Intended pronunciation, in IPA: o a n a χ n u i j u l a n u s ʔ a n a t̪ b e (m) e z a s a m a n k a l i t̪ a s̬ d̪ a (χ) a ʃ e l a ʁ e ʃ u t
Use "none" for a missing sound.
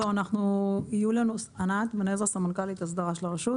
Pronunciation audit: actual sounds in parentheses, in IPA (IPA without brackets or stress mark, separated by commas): n, ʁ